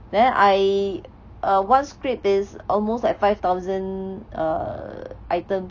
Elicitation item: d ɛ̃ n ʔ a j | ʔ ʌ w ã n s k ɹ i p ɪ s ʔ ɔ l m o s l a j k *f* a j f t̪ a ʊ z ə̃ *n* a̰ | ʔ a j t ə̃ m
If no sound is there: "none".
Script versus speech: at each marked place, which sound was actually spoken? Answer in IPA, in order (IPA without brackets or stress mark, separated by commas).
f, n